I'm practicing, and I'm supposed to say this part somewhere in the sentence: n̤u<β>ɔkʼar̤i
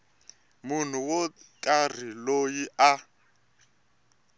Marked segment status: incorrect: w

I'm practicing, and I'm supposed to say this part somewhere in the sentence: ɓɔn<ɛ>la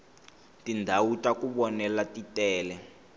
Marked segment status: correct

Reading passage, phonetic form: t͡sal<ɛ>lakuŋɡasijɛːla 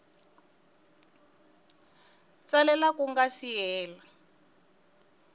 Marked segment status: correct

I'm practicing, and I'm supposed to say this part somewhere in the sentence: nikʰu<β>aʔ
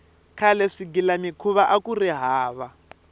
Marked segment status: correct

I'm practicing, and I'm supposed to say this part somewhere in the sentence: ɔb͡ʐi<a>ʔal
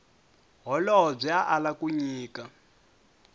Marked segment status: correct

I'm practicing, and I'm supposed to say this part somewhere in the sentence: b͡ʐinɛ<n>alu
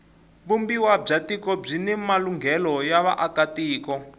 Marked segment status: incorrect: m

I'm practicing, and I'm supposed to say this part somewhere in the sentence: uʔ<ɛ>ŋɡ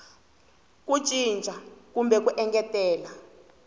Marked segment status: correct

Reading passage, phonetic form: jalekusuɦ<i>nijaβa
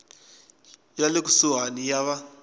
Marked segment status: incorrect: a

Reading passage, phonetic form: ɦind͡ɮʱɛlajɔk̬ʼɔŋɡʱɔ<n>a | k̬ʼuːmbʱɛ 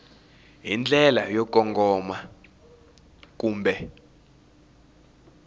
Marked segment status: incorrect: m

